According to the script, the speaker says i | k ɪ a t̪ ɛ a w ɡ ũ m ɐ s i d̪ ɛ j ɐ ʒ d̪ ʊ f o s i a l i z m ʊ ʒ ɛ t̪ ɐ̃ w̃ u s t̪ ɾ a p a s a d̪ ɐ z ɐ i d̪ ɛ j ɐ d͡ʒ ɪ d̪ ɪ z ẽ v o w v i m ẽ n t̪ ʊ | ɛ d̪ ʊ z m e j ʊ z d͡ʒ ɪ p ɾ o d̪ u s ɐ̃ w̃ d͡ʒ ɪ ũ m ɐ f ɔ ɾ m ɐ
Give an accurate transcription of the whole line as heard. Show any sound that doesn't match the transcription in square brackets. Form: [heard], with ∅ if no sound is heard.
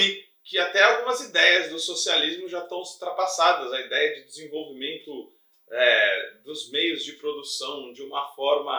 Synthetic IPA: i | k ɪ a t̪ ɛ a w ɡ ũ m ɐ [z] i d̪ ɛ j ɐ [z] d̪ ʊ [s] o s i a l i z m ʊ ʒ [a] t̪ ɐ̃ w̃ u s t̪ ɾ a p a s a d̪ ɐ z ɐ i d̪ ɛ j ɐ d͡ʒ ɪ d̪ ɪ z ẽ v o w v i m ẽ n t̪ ʊ | ɛ d̪ ʊ z m e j ʊ z d͡ʒ ɪ p ɾ o d̪ u s ɐ̃ w̃ d͡ʒ ɪ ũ m ɐ f ɔ ɾ m ɐ